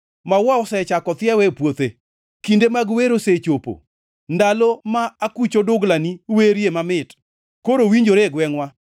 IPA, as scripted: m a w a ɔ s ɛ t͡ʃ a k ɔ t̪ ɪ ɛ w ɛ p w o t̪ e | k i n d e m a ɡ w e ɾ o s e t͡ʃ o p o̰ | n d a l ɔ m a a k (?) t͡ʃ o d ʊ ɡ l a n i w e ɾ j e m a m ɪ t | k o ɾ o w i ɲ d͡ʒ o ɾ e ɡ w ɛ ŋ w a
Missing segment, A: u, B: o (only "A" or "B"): A